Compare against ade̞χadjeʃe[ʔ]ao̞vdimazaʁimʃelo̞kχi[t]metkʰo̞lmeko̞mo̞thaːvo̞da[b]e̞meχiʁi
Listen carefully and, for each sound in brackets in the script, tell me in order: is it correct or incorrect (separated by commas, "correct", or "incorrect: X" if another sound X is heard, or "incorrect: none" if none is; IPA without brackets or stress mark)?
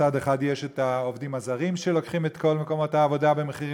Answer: incorrect: t, incorrect: none, correct